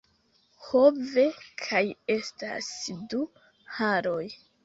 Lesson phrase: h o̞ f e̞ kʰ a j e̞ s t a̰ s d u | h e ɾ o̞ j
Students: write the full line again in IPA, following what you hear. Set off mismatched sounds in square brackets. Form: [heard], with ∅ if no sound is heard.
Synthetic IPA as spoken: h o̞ [v] e̞ kʰ a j e̞ s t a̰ s d u | h [a] ɾ o̞ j